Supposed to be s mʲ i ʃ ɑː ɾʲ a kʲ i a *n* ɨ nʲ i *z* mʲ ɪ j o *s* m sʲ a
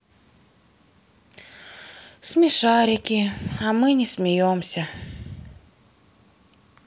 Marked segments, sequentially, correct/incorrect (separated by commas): incorrect, incorrect, incorrect